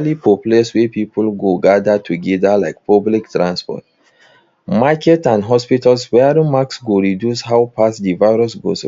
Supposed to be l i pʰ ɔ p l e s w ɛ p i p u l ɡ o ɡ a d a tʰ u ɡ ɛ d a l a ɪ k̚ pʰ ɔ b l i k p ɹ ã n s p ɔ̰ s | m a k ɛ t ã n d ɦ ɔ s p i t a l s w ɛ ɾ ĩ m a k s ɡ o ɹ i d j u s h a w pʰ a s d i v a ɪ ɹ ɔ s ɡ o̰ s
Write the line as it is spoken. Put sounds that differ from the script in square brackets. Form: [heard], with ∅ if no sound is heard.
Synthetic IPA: l i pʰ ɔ p l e s w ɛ p i p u l ɡ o ɡ a d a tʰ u ɡ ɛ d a l a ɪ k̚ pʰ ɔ b l i k [t] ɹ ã n s p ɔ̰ [t] | m a k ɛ t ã n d ɦ ɔ s p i t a l s w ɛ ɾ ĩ m a k s ɡ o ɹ i d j u s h a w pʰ a s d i v a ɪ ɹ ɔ s ɡ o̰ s